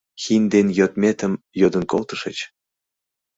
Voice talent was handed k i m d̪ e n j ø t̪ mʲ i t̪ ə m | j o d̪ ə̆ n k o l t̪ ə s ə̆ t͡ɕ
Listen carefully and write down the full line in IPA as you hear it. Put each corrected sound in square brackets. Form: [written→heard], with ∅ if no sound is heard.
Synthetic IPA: [k→x] i [m→n] d̪ e n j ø t̪ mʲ [i→e] t̪ ə m | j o d̪ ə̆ n k o l t̪ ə [s→ʃ] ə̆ t͡ɕ